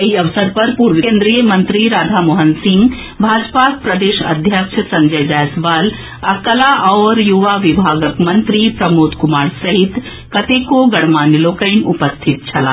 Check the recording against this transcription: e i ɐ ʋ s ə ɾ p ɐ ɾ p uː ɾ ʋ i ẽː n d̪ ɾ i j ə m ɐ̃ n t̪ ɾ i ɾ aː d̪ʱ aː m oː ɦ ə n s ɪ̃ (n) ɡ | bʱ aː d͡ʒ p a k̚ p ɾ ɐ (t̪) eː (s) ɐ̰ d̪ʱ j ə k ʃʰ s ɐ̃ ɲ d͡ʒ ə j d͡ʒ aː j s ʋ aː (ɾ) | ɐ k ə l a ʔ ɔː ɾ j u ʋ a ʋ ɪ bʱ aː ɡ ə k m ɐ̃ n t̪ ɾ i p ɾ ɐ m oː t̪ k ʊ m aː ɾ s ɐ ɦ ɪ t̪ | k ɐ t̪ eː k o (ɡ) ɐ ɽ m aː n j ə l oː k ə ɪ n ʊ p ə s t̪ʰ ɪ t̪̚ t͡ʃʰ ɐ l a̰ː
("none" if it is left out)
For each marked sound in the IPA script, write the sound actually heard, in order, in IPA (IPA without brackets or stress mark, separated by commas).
ŋ, d̪, ʃ, l, ɡ